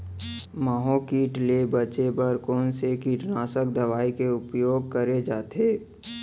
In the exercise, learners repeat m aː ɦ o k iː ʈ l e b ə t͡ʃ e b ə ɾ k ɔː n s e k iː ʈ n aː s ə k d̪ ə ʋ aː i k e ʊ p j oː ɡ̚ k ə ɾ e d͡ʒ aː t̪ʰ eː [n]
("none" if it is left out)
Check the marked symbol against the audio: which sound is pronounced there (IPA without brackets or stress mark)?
none